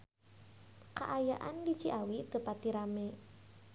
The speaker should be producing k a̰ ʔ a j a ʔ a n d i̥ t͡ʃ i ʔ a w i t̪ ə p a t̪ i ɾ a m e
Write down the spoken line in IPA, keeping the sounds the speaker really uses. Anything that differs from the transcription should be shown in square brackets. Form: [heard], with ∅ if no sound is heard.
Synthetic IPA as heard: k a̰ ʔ a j a ʔ a n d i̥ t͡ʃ i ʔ a w i t̪ ə p a t̪ i ɾ a m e